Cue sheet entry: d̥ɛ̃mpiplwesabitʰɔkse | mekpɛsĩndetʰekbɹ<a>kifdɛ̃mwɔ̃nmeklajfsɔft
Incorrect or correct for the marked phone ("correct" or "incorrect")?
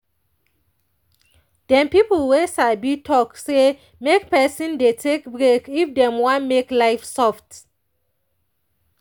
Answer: incorrect